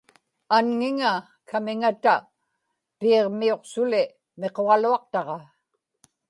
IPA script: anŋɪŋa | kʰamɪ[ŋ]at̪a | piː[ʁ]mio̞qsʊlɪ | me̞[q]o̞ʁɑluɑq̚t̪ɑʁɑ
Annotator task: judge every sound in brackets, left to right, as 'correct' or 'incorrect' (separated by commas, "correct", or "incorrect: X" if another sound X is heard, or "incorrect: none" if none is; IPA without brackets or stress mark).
correct, correct, correct